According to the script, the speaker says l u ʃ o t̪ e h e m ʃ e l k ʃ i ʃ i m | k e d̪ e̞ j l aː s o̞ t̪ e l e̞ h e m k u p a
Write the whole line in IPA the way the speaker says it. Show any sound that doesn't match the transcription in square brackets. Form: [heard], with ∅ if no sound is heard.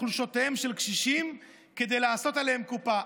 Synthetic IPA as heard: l u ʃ o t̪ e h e m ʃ e l k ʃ i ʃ i m | k e d̪ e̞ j l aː s o̞ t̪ [a] l e̞ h e m k u p a